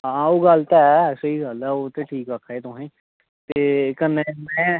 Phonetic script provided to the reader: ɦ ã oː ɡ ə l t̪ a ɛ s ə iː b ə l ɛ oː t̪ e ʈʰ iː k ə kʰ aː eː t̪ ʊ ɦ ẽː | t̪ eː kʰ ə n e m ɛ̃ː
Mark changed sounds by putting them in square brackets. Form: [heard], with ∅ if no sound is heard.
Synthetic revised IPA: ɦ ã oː ɡ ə l t̪ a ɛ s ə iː [ɡ] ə l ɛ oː t̪ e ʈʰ iː k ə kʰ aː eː t̪ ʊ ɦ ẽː | t̪ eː [k] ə n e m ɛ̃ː